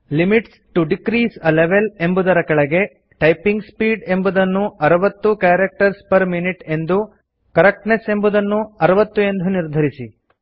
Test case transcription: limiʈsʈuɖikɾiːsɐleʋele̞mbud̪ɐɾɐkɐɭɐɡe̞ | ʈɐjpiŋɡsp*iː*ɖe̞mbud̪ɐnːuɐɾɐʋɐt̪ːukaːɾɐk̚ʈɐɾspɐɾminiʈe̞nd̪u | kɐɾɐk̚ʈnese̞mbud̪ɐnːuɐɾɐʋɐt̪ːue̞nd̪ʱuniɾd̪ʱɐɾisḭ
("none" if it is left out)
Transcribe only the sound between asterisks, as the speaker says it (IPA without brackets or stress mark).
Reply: iː